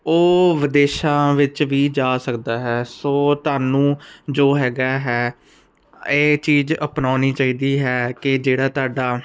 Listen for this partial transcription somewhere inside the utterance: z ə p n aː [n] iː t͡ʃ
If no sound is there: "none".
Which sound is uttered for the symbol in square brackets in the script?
n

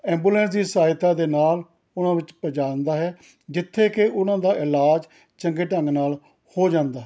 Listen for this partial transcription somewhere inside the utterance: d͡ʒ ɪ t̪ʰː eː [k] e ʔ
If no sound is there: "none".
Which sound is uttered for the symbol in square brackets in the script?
k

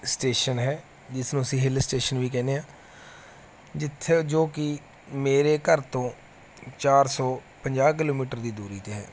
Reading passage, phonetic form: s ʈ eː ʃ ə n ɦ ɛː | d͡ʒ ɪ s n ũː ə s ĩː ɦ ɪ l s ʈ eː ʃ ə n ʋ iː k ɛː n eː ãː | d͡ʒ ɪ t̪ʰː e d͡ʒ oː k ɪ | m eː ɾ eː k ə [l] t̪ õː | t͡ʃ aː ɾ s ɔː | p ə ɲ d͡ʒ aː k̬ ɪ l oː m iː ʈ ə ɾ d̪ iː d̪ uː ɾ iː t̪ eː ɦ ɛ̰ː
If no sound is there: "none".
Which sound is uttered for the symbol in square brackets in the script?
ɾ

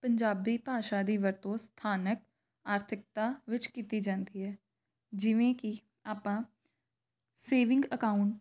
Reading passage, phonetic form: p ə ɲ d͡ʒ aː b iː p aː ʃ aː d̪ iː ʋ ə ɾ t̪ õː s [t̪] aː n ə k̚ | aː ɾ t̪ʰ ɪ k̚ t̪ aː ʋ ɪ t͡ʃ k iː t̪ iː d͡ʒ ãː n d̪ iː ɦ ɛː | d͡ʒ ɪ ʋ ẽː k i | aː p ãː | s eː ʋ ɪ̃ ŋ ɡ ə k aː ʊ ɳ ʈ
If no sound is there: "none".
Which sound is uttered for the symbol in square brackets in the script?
t̪ʰ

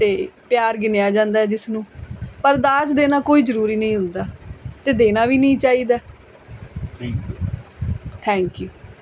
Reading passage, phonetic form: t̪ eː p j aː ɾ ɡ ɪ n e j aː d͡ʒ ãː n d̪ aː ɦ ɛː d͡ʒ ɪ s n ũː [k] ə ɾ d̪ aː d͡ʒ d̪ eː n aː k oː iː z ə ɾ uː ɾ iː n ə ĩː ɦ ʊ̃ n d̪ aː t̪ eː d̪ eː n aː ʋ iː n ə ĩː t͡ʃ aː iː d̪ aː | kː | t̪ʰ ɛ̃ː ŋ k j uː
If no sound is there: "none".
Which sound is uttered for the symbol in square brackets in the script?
p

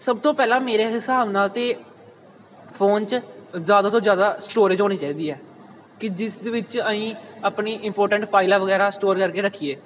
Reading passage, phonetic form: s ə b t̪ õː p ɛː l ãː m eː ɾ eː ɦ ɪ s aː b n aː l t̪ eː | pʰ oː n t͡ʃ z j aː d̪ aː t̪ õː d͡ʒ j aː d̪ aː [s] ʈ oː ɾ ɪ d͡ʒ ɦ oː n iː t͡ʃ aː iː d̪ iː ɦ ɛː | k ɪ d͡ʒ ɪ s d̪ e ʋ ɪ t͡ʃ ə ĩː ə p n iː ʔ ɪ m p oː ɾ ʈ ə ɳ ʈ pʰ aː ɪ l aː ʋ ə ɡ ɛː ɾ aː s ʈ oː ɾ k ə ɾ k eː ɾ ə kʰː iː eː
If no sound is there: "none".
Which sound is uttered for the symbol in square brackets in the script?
s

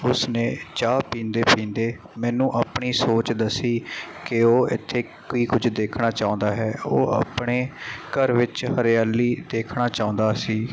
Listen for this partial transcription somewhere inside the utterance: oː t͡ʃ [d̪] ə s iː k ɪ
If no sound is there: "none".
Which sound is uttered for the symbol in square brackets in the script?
d̪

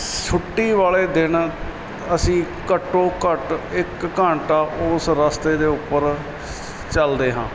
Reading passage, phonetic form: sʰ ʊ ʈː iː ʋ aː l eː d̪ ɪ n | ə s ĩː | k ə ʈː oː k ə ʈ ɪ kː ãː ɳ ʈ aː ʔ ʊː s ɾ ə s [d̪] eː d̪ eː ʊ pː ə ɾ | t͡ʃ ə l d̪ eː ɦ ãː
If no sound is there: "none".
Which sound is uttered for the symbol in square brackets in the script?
t̪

